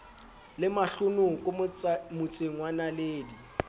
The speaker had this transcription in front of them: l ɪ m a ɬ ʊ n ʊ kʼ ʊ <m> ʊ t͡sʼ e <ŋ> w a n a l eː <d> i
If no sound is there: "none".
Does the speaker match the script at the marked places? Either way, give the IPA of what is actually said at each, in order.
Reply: m, ŋ, d

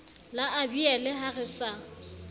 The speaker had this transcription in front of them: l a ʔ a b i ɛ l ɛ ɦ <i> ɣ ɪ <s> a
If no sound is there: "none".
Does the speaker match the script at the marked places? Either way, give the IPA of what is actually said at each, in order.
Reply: a, s

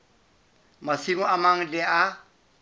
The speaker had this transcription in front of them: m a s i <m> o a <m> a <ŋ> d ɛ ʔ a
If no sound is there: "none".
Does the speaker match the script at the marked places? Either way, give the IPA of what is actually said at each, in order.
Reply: m, m, ŋ

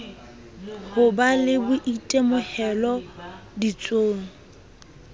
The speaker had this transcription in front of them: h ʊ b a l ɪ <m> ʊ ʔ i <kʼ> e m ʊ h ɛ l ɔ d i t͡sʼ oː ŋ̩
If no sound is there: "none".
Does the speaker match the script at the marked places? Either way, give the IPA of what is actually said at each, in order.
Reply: b, tʼ

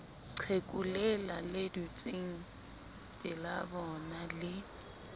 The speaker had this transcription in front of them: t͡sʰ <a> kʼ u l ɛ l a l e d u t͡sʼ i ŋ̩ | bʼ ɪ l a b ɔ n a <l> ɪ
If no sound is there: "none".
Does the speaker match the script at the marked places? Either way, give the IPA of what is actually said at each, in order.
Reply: e, l

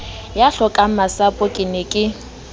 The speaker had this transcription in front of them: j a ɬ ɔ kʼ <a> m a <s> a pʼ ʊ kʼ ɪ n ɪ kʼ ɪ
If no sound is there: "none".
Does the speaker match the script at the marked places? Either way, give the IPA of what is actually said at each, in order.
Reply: a, s

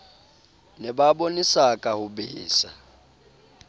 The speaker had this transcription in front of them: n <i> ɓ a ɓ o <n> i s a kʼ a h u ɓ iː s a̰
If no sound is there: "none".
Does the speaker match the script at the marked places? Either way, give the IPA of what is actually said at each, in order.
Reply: ɛ, n

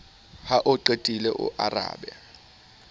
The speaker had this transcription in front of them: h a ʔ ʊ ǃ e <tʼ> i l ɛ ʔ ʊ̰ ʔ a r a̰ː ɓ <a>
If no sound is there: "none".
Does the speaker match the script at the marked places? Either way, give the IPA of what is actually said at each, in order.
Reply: tʼ, ɛ

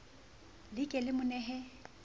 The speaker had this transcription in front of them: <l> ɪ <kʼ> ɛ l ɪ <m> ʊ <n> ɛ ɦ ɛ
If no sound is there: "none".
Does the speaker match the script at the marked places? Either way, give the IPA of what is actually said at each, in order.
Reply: l, kʼ, m, n

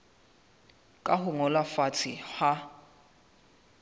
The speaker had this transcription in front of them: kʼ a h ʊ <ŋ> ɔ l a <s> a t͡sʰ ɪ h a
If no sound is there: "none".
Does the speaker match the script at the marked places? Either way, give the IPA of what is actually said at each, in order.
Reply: ŋ, f

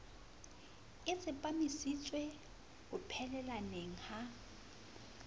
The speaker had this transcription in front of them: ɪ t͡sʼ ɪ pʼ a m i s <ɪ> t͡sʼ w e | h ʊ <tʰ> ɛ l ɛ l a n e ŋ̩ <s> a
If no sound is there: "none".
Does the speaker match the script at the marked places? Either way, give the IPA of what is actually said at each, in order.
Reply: i, pʰ, h

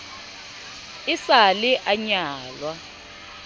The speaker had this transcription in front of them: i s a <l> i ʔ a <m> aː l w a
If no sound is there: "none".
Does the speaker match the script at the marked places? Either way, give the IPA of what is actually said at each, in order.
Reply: l, ɲ

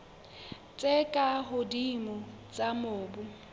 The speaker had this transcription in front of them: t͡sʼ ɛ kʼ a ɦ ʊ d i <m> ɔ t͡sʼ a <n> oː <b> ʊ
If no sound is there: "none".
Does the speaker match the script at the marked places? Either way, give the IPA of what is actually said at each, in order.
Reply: m, m, b

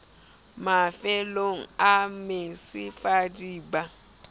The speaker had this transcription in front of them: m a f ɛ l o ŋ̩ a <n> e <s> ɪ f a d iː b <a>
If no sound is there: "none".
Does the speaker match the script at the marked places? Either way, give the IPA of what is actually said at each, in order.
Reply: m, s, a

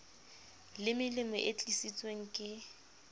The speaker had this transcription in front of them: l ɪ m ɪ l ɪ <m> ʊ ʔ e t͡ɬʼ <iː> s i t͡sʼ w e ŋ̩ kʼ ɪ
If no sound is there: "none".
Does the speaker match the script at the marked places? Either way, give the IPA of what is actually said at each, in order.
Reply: m, i

